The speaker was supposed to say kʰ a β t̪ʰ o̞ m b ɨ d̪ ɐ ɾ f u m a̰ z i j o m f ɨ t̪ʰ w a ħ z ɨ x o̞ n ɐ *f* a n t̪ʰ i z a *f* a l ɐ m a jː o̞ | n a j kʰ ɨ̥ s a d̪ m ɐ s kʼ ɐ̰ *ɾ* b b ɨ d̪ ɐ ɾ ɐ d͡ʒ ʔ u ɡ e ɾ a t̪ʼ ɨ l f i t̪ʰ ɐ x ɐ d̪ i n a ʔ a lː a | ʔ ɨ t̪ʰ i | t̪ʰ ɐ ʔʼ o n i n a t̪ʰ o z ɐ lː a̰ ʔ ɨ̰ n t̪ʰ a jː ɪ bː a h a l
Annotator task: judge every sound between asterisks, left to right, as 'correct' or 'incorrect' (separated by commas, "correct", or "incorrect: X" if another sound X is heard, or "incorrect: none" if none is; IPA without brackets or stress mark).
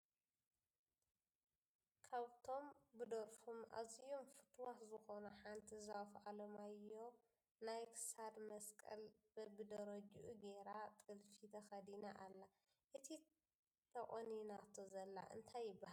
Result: incorrect: ħ, correct, incorrect: l